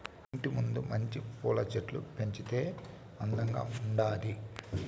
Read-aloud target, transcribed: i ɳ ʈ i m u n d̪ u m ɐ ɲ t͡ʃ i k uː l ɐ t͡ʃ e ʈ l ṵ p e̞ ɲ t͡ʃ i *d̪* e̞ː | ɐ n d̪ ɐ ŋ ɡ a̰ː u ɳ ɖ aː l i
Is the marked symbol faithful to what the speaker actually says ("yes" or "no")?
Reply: no